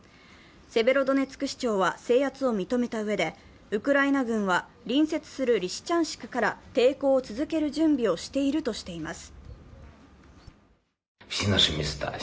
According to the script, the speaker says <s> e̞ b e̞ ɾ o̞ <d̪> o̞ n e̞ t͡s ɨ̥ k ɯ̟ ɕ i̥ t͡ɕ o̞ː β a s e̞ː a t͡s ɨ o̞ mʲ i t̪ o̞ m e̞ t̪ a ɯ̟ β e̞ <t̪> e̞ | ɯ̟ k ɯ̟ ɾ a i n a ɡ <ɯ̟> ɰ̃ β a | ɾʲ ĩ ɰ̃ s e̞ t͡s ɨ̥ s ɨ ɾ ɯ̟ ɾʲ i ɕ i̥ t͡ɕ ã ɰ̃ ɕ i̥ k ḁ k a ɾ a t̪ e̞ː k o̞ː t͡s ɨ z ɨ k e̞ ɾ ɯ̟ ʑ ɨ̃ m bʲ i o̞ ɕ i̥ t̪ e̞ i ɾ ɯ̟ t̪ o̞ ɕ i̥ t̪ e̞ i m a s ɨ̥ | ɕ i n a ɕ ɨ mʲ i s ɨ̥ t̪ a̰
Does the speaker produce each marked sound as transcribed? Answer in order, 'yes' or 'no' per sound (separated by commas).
yes, yes, no, no